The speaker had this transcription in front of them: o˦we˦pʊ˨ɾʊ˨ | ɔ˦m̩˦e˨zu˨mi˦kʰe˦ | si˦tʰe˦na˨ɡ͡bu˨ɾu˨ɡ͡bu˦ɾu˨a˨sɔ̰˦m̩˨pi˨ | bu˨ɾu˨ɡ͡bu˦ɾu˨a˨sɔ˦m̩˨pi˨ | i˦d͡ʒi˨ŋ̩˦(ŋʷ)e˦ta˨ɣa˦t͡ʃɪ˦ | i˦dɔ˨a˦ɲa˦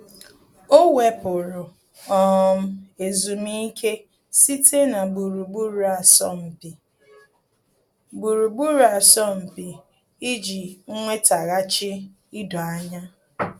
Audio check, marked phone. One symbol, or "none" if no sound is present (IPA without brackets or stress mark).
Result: ŋʷ